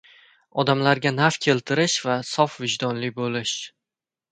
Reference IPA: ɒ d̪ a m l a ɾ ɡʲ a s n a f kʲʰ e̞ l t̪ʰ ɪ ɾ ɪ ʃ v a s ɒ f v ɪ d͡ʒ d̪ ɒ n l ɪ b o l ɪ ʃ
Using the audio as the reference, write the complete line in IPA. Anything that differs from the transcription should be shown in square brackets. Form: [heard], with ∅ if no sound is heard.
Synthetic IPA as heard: ɒ d̪ a m l a ɾ ɡʲ a [∅] n a f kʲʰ e̞ l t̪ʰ ɪ ɾ ɪ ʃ v a s ɒ f v ɪ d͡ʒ d̪ ɒ n l ɪ b o l ɪ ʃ